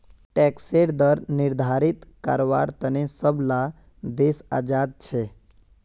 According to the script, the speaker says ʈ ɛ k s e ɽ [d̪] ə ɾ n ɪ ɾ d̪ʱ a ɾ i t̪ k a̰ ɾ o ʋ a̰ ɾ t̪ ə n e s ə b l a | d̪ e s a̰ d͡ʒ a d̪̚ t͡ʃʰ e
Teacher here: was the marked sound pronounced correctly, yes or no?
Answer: yes